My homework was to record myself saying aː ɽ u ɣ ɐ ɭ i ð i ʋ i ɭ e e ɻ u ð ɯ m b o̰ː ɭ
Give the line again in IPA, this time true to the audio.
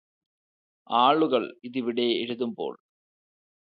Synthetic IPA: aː ɭ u ɣ ɐ ɭ i ð i ʋ i ɽ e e ɻ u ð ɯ m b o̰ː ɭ